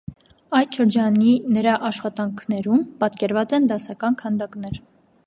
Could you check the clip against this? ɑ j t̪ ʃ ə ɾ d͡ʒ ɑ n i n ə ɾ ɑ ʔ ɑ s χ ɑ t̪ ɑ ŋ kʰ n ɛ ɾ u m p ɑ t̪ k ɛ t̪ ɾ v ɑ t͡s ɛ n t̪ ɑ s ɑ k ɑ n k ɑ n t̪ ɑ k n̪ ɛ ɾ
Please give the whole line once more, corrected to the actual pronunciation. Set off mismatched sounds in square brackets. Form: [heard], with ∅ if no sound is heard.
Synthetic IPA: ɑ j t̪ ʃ ə ɾ d͡ʒ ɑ n i n ə ɾ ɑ ʔ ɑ [ʃ] χ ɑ t̪ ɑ ŋ kʰ n ɛ ɾ u m p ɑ t̪ k ɛ [∅] ɾ v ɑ t͡s ɛ n [d̪] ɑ s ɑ k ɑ n [kʰ] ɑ n [d̪] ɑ k n̪ ɛ ɾ